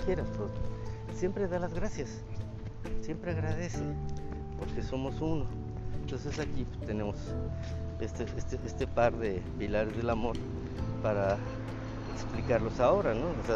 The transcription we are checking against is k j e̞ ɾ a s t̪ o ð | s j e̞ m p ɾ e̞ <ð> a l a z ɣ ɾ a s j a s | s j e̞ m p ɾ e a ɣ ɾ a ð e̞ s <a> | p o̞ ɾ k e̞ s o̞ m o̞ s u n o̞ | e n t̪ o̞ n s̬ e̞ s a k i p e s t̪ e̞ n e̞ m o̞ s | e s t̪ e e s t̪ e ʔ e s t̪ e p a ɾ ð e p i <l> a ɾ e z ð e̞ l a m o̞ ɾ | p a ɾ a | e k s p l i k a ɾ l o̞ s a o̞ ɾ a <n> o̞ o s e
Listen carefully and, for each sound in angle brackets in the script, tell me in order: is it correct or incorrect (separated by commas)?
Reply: correct, incorrect, correct, correct